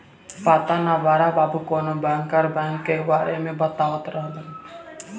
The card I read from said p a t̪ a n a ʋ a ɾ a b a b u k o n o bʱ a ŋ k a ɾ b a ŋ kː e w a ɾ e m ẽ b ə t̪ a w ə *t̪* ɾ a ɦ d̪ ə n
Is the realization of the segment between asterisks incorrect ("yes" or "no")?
no